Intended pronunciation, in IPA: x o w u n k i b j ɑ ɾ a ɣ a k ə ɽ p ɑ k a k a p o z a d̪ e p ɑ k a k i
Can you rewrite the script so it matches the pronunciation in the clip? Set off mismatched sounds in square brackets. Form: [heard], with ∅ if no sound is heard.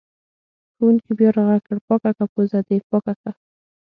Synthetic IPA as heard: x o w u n k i b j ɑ ɾ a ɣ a k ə ɽ p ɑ k a k a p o z a d̪ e p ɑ k a k [a]